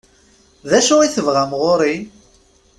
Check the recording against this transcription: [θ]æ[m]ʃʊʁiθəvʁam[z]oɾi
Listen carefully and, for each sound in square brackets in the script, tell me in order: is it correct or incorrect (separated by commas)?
incorrect, incorrect, incorrect